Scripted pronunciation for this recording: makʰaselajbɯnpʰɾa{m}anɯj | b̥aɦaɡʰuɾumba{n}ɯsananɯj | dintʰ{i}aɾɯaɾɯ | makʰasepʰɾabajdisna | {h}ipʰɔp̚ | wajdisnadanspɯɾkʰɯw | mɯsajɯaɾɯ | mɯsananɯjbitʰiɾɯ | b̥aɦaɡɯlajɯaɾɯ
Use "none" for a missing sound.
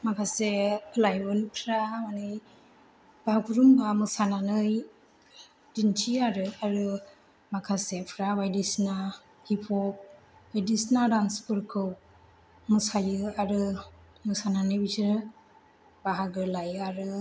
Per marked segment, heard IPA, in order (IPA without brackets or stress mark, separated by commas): m, m, i, h